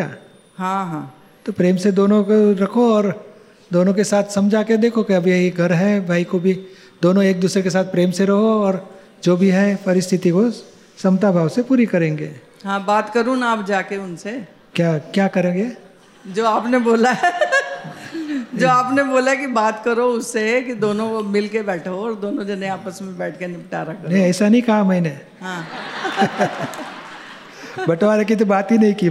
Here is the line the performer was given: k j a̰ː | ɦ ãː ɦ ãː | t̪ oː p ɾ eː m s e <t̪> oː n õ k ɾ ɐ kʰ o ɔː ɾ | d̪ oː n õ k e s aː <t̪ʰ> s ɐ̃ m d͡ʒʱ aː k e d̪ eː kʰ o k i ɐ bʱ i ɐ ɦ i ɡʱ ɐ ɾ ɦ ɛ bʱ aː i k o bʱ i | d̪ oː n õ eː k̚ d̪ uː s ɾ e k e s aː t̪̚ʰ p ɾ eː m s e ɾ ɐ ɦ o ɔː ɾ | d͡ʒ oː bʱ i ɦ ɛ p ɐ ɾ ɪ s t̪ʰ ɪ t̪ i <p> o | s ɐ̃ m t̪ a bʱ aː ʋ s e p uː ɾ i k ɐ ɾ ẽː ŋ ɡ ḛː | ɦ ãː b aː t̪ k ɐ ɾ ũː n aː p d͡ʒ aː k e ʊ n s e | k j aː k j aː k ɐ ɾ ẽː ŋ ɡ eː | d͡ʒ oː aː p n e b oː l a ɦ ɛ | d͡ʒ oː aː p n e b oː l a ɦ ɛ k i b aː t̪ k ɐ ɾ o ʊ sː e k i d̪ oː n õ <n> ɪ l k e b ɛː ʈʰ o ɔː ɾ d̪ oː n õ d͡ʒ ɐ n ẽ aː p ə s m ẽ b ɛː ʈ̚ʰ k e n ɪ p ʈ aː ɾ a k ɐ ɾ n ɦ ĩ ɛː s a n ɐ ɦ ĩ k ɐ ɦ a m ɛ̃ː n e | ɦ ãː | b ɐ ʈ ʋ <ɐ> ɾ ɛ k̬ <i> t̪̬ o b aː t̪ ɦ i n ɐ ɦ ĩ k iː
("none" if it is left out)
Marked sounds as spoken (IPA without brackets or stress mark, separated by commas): d̪, t̪ʰ, k, m, a, i